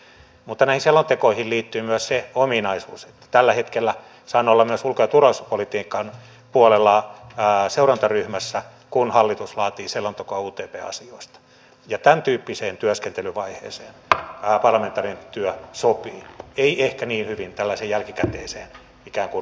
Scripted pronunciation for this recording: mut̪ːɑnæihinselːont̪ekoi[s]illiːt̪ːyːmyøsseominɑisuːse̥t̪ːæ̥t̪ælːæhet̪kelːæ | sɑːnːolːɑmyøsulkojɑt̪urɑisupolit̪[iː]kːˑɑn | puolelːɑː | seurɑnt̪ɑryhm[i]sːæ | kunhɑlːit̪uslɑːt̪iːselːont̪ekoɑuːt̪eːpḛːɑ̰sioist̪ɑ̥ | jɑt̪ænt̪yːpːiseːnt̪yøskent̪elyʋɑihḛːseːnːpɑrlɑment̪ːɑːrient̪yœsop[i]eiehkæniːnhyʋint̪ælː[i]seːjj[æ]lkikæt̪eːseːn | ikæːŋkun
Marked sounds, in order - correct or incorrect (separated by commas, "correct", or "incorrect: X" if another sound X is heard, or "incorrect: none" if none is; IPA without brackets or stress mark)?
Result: incorrect: h, correct, incorrect: æ, incorrect: iː, incorrect: æ, correct